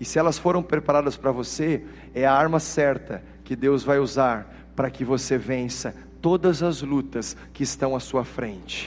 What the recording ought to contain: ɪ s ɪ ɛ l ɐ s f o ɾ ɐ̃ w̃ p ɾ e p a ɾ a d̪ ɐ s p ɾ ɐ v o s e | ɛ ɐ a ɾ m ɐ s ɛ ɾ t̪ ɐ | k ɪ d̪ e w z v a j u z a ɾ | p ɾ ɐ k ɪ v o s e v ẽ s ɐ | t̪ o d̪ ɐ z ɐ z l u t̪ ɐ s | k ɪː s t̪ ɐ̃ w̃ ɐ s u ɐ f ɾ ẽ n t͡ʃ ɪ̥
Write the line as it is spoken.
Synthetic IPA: ɪ s ɪ ɛ l ɐ s f o ɾ ɐ̃ w̃ p ɾ e p a ɾ a d̪ ɐ s p ɾ ɐ v o s e | ɛ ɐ a ɾ m ɐ s ɛ ɾ t̪ ɐ | k ɪ d̪ e w z v a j u z a ɾ | p ɾ ɐ k ɪ v o s e v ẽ s ɐ | t̪ o d̪ ɐ z ɐ z l u t̪ ɐ s | k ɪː s t̪ ɐ̃ w̃ ɐ s u ɐ f ɾ ẽ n t͡ʃ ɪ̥